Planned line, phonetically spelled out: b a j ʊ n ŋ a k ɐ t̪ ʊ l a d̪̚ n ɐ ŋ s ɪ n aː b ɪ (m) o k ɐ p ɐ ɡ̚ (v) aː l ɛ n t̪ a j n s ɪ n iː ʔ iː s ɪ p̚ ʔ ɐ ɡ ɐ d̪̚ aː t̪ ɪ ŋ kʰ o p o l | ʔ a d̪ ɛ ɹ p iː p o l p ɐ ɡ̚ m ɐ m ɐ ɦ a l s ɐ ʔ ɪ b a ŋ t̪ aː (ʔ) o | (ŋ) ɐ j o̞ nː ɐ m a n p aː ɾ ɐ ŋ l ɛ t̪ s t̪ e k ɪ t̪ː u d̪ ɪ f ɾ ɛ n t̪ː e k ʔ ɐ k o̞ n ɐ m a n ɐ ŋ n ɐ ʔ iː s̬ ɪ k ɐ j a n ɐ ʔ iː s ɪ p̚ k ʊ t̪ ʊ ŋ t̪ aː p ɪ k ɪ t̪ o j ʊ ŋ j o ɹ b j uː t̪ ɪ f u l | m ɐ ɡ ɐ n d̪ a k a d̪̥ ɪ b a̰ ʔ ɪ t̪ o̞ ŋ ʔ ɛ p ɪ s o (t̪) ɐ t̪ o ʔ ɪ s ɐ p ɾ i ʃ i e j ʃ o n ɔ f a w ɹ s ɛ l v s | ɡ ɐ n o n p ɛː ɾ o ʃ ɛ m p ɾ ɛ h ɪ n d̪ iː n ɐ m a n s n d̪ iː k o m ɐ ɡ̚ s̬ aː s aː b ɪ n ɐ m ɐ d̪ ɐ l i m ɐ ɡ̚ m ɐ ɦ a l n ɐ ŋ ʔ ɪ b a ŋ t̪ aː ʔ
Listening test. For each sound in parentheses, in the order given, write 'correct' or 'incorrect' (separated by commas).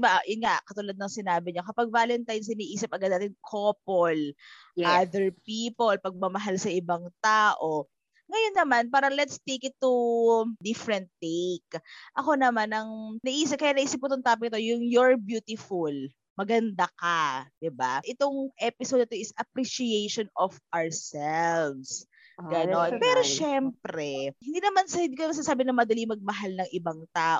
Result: incorrect, correct, correct, correct, incorrect